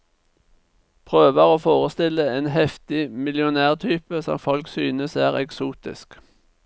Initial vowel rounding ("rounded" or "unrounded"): rounded